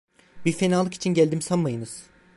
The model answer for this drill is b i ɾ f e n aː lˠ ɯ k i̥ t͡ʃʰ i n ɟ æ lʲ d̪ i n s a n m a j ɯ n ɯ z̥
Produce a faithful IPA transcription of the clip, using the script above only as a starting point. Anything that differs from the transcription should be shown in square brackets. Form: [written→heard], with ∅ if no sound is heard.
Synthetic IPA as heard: b i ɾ f e n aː lˠ ɯ k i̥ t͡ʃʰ i n ɟ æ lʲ d̪ i [n→m] s a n m a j ɯ n ɯ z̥

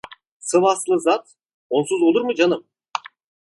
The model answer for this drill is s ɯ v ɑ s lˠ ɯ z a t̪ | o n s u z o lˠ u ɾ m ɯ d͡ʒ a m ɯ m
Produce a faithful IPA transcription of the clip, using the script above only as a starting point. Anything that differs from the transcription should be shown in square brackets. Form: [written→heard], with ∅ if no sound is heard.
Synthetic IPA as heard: s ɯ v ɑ s lˠ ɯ z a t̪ | o n s u z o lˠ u ɾ m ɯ d͡ʒ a [m→n] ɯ m

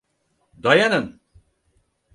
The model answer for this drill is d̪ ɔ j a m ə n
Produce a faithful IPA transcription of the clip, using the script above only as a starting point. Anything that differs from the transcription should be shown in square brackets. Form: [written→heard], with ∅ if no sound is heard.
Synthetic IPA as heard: d̪ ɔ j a [m→n] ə n

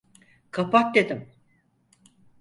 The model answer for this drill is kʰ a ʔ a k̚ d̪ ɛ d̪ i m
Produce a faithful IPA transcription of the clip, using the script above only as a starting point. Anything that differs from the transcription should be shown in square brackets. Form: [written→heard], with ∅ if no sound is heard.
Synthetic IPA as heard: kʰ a [ʔ→p] a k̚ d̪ [ɛ→e] d̪ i m

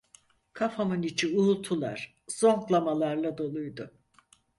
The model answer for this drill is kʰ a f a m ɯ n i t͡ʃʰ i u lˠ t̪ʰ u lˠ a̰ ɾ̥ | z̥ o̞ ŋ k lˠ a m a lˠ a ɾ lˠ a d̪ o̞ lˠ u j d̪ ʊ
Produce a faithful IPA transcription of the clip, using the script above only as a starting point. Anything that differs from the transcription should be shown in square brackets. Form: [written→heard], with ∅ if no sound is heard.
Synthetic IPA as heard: kʰ a f a m ɯ n i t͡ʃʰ i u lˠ t̪ʰ u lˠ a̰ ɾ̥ | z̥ o̞ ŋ k lˠ a m a lˠ a ɾ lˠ a d̪ o̞ lˠ u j d̪ ʊ

